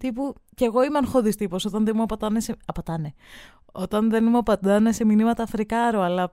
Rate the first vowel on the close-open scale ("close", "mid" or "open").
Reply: close